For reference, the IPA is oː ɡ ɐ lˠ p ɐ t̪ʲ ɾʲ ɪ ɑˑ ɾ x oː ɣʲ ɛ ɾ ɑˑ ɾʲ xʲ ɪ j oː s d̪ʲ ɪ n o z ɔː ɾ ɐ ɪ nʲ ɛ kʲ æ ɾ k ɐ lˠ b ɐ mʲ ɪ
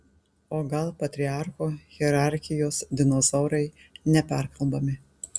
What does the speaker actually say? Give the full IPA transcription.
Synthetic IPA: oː ɡ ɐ lˠ p ɐ t̪ʲ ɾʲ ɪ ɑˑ ɾ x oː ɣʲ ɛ ɾ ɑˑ ɾʲ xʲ ɪ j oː s d̪ʲ ɪ n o z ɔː ɾ ɐ ɪ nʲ ɛ pʲ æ ɾ k ɐ lˠ b ɐ mʲ ɪ